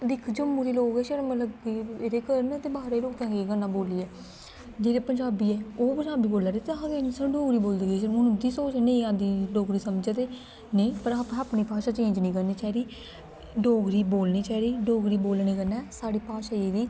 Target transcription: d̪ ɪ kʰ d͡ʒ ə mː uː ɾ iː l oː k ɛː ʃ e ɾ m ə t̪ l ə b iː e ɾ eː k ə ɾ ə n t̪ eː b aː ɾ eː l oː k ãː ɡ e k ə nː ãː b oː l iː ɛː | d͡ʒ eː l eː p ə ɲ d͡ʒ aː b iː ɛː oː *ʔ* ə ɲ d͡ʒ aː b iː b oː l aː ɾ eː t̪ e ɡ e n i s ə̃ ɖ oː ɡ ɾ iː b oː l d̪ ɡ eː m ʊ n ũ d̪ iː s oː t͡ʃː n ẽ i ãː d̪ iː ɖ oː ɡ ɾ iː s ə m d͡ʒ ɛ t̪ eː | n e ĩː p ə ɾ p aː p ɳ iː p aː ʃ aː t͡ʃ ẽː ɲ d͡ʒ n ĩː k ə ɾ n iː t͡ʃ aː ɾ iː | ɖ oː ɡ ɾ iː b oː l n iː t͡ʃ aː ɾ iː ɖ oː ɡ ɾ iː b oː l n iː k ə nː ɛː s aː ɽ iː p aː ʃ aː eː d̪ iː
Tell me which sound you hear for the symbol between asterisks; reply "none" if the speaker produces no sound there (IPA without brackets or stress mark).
p